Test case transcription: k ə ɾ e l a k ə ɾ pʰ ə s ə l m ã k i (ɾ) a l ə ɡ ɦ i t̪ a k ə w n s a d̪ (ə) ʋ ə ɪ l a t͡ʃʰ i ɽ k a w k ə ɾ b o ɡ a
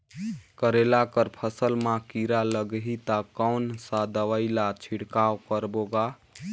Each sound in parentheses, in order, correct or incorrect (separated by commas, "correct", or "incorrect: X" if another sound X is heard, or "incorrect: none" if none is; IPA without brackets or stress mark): correct, correct